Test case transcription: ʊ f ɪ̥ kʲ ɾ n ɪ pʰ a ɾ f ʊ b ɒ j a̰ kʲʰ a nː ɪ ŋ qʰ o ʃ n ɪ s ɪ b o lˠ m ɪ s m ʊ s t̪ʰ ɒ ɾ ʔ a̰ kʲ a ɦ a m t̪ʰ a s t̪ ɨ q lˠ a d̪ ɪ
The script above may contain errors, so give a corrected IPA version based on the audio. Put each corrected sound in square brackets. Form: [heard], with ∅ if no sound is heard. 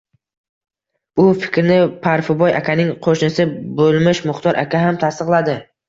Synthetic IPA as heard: ʊ f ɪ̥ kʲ ɾ n ɪ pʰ a ɾ f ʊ b ɒ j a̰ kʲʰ a [n] ɪ ŋ qʰ o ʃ n ɪ s ɪ b o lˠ m ɪ [ʃ] m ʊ [χ] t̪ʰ ɒ ɾ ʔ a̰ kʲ a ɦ a m t̪ʰ a s t̪ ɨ q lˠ a d̪ ɪ